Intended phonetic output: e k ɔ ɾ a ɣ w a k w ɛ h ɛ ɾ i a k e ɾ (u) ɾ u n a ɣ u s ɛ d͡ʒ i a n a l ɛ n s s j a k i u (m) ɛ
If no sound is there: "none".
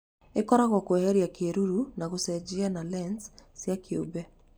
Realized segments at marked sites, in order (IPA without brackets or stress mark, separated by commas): u, b